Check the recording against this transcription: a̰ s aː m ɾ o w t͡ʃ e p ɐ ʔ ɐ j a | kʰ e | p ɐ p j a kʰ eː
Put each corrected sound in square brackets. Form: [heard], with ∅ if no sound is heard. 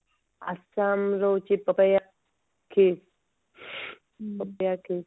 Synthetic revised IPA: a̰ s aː m ɾ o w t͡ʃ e p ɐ [p] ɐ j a | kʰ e | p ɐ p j a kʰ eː

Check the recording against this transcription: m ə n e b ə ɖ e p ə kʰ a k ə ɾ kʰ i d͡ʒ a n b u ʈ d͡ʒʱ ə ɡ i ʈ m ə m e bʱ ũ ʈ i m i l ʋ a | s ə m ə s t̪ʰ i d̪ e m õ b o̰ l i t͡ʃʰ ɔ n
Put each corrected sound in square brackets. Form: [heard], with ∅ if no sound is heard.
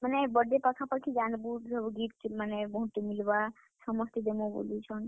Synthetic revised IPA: m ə n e b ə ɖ e p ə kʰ a [p] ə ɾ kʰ i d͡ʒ a n b u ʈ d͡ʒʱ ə ɡ i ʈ m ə [n] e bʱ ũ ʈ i m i l ʋ a | s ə m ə s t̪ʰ i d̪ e m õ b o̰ l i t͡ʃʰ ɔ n

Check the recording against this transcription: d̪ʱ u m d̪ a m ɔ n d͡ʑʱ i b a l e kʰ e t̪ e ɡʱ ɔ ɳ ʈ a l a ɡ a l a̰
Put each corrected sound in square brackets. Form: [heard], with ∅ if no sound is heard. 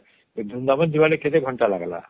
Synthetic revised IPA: d̪ʱ u [n] d̪ a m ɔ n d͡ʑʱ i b a l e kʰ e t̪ e ɡʱ ɔ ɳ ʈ a l a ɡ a l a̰

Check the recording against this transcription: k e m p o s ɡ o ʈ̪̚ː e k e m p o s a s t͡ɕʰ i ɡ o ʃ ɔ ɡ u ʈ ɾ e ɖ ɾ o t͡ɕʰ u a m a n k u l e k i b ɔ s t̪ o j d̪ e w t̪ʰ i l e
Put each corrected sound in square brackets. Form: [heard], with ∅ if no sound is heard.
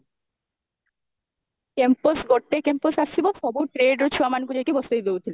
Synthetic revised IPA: k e m p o s ɡ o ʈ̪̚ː e k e m p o s a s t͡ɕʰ i [b] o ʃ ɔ [b] u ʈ ɾ e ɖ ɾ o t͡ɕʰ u a m a n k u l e k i b ɔ s t̪ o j d̪ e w t̪ʰ i l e

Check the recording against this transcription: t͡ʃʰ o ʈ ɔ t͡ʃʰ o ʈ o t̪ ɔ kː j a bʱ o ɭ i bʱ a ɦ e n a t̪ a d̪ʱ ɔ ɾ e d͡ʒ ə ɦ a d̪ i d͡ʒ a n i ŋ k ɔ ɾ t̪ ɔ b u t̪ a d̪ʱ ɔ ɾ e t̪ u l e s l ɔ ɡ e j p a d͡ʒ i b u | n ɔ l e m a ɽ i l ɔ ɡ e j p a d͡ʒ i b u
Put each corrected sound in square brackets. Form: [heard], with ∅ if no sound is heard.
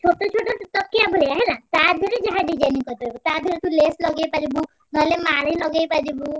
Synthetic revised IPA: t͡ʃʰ o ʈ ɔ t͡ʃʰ o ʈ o t̪ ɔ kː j a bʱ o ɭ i [∅] a ɦ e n a t̪ a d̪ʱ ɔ ɾ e d͡ʒ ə ɦ a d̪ i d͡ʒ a n i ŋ k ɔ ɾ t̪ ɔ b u t̪ a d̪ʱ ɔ ɾ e t̪ u l e s l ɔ ɡ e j p a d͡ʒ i b u | n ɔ l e m a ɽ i l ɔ ɡ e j p a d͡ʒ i b u

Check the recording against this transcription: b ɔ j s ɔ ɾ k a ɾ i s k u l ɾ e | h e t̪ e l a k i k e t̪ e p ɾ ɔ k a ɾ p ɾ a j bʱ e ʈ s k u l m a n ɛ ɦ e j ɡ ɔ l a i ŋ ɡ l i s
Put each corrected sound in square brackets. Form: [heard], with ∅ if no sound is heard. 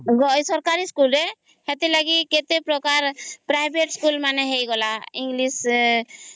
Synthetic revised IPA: [ɡ] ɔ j s ɔ ɾ k a ɾ i s k u l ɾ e | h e t̪ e l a [ɡ] i k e t̪ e p ɾ ɔ k a ɾ p ɾ a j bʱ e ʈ s k u l m a n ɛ ɦ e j ɡ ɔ l a i ŋ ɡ l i s

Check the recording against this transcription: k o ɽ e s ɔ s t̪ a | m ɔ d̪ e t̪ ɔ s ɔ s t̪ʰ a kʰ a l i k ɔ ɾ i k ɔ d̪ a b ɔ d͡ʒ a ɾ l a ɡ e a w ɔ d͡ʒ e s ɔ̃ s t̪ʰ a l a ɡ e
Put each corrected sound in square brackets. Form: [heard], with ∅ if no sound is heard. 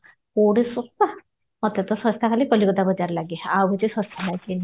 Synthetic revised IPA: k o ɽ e s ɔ s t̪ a | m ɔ [t̪] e t̪ ɔ s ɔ s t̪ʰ a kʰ a l i k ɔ [l] i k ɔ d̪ a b ɔ d͡ʒ a ɾ l a ɡ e a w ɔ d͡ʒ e s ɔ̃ s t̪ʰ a l a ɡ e

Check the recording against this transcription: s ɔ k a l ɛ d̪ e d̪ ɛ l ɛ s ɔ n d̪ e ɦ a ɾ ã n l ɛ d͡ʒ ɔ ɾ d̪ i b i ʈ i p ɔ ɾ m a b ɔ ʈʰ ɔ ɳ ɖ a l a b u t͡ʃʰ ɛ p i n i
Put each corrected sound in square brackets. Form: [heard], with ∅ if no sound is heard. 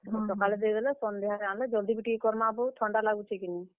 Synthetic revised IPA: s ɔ k a l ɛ d̪ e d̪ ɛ l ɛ s ɔ n d̪ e ɦ a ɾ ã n l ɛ d͡ʒ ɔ [l] d̪ i b i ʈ i [k] ɔ ɾ m a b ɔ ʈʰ ɔ ɳ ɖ a l a [ɡ] u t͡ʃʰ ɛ [k] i n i

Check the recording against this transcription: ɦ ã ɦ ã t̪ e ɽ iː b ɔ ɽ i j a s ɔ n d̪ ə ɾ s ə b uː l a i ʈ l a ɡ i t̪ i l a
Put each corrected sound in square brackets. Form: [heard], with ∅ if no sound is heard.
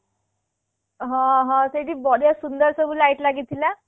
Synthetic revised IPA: ɦ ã ɦ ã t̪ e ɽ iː b ɔ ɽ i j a s [u] n d̪ ə ɾ s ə b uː l a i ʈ l a ɡ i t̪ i l a

